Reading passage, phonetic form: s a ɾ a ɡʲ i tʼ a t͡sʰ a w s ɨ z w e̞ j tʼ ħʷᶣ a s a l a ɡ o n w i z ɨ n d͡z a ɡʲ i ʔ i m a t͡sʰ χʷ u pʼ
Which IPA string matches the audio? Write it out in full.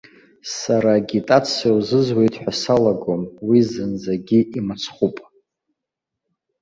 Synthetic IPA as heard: s a ɾ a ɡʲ i tʼ a t͡sʰ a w z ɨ z w e̞ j tʼ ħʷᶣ a s a l a ɡ o m w i z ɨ n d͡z a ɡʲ i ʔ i m a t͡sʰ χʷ u pʼ